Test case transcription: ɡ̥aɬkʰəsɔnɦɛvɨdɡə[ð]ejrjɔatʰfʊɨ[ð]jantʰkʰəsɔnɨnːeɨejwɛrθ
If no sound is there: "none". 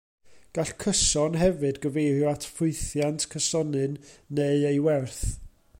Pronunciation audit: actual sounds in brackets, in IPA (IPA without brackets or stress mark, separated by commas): v, θ